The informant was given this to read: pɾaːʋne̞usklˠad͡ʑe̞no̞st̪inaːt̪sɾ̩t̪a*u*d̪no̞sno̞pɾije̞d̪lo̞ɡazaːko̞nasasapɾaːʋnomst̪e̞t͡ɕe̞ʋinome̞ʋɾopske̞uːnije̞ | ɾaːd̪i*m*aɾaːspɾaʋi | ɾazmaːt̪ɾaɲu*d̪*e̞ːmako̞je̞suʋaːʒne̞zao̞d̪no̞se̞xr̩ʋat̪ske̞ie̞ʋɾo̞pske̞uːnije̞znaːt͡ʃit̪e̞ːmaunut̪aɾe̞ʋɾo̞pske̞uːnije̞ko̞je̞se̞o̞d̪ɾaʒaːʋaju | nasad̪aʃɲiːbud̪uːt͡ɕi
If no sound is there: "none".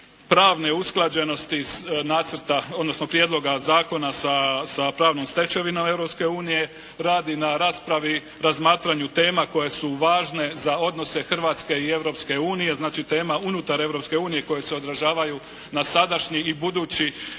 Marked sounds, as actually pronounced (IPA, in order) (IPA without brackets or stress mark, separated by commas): o, n, t̪